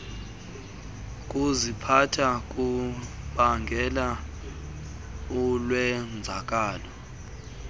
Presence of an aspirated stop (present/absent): present